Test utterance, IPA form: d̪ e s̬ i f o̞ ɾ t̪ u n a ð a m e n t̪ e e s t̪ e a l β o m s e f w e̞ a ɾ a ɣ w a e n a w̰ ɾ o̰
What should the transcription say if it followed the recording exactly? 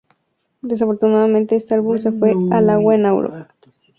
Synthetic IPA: d̪ e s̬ a f o̞ ɾ t̪ u n a ð a m ẽ n t̪ e e s t̪ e a l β u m s e f w e̞ a l a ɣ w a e n a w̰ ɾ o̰